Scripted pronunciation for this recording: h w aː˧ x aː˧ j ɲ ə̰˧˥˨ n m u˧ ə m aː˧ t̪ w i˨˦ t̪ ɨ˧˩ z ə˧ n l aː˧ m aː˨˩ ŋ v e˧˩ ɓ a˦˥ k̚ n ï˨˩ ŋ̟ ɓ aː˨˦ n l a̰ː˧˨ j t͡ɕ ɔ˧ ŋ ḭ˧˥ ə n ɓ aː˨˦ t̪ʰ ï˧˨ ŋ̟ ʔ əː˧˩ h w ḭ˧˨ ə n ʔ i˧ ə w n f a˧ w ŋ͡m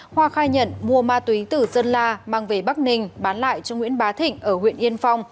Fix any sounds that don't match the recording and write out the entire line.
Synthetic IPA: h w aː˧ x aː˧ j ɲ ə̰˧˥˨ n m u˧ ə m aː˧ t̪ w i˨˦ t̪ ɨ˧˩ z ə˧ n l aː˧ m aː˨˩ ŋ v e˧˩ ɓ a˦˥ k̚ n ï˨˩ ŋ̟ ɓ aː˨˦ n l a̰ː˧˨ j t͡ɕ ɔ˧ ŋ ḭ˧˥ ə n ɓ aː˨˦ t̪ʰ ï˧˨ ŋ̟ ʔ əː˧˩ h w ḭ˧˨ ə n ʔ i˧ ə n f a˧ w ŋ͡m